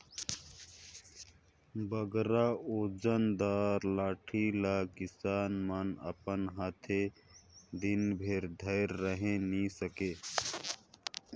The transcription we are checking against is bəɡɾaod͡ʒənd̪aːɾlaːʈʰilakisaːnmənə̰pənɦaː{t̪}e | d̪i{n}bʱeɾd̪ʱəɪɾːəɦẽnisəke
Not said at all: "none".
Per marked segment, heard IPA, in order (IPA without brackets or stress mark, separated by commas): t̪ʰ, n